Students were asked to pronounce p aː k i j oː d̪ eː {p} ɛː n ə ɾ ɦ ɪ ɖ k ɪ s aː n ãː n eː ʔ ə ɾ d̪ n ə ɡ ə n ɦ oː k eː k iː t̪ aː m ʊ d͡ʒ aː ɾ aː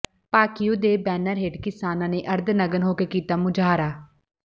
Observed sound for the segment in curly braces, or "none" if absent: b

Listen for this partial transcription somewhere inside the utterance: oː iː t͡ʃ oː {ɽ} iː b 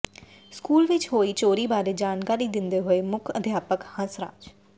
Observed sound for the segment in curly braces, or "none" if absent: ɾ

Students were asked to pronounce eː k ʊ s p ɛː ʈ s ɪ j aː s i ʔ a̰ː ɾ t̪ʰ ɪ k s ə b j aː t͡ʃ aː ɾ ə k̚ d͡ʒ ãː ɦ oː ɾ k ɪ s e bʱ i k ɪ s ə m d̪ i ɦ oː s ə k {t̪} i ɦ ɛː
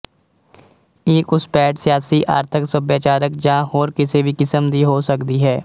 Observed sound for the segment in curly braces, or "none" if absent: d̪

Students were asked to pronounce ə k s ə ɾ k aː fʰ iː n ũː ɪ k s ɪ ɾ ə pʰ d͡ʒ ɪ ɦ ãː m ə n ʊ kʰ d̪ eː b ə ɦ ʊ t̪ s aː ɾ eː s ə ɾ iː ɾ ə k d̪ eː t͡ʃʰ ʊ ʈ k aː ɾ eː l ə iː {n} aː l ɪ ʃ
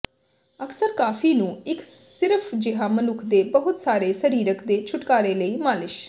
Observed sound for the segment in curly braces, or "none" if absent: m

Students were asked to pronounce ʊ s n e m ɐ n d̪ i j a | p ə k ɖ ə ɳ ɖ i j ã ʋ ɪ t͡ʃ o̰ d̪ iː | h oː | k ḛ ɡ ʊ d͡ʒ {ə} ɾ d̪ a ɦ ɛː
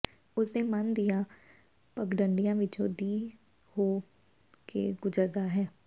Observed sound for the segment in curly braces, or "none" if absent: ə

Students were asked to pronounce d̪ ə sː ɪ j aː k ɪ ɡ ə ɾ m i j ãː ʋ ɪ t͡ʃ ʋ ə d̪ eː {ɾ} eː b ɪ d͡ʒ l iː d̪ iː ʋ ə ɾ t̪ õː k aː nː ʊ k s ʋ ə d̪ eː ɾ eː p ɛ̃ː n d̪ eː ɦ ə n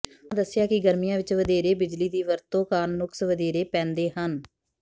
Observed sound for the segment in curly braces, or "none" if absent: ɾ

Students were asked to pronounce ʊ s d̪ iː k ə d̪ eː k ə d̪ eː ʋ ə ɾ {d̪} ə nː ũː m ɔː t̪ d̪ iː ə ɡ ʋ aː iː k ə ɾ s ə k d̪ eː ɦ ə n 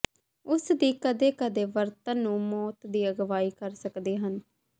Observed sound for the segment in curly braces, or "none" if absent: t̪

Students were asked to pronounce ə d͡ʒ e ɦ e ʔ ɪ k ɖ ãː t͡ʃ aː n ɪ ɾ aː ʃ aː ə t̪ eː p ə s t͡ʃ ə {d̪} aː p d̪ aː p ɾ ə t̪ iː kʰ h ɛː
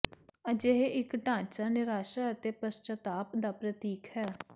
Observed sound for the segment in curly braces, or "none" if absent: t̪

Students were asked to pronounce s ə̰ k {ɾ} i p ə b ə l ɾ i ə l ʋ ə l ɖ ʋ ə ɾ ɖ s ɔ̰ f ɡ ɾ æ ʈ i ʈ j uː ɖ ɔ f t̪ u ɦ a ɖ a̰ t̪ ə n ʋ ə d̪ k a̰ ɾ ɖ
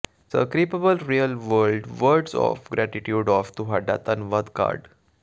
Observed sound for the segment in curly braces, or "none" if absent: ɾ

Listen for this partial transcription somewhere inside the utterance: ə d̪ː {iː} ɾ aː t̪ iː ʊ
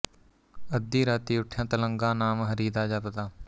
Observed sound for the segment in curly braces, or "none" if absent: iː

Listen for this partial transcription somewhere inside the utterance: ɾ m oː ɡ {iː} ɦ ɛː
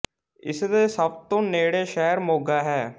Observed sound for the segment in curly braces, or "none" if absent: aː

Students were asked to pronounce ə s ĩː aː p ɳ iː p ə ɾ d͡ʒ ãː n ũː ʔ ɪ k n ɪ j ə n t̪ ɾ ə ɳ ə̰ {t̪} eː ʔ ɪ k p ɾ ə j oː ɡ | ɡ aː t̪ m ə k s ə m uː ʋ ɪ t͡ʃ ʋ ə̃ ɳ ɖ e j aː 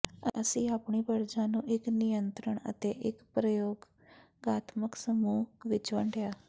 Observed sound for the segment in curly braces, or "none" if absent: t̪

